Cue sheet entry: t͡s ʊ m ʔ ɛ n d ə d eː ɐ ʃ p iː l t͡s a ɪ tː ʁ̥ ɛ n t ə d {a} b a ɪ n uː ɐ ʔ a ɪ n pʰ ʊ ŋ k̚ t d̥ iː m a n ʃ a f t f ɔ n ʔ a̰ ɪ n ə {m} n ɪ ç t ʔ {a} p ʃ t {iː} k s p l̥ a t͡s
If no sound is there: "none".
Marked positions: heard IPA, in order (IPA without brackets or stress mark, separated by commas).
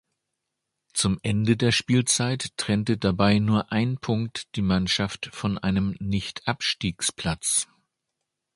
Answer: a, m, a, iː